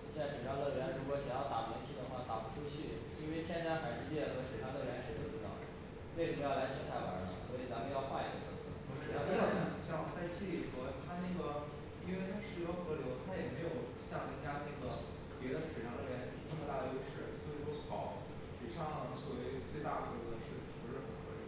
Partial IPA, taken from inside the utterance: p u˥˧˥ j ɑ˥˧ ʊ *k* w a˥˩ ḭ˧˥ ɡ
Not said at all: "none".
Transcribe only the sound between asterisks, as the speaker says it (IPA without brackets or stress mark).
x